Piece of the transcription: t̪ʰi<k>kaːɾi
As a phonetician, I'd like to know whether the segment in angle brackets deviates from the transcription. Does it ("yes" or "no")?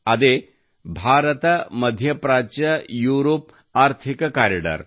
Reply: no